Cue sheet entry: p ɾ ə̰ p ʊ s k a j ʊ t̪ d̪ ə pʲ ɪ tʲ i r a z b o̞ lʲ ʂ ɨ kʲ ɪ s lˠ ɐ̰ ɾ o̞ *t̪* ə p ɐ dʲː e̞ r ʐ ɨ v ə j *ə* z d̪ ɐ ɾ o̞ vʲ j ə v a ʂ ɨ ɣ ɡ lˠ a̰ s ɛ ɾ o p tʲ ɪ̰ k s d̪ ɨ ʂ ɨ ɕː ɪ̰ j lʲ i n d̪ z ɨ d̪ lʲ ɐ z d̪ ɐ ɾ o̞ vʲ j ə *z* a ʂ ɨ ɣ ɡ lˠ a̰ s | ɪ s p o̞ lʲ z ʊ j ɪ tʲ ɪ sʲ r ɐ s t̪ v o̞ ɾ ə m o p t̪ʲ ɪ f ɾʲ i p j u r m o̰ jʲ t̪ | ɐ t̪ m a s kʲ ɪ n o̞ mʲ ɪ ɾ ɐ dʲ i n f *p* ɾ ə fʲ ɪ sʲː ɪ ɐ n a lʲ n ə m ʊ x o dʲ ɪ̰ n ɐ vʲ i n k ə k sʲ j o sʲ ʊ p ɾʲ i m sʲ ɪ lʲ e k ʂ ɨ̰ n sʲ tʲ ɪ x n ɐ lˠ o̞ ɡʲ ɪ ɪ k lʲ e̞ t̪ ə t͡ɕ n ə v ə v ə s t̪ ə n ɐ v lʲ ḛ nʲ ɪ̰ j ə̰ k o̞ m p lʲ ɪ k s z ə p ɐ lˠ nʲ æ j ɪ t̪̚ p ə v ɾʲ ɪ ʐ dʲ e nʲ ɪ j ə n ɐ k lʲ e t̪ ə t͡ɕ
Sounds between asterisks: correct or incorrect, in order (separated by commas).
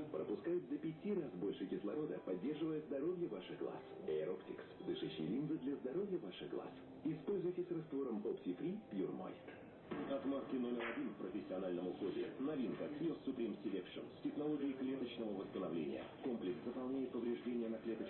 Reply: incorrect, correct, incorrect, correct